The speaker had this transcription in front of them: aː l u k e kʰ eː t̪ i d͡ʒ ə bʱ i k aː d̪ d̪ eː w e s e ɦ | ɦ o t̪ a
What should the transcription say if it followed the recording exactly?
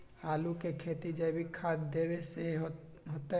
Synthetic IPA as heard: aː l u k e kʰ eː t̪ i d͡ʒ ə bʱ i kʰ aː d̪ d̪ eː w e s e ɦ | ɦ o t̪ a